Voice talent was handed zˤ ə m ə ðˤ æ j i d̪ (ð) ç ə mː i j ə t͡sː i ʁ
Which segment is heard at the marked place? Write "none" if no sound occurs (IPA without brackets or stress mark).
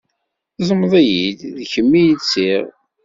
ð